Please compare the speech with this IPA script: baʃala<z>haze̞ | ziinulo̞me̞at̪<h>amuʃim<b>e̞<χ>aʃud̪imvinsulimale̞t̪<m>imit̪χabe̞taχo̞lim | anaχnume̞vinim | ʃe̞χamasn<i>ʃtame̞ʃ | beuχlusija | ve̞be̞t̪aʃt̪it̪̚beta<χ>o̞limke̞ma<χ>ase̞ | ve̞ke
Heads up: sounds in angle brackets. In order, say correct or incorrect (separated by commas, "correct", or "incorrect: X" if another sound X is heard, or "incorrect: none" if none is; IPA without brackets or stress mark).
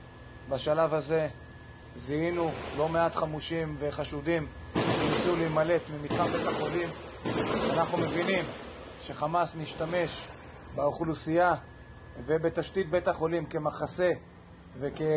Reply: incorrect: v, incorrect: χ, incorrect: v, correct, correct, correct, correct, correct